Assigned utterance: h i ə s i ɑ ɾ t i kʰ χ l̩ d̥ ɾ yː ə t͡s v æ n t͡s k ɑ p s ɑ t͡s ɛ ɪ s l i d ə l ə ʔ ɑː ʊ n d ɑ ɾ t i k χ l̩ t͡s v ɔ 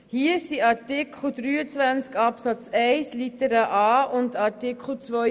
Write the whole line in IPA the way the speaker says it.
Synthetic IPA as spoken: h i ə s i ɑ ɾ t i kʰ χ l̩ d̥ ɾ yː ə t͡s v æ n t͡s k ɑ p s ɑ t͡s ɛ ɪ s l i t ə ɾ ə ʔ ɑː ʊ n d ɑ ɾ t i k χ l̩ t͡s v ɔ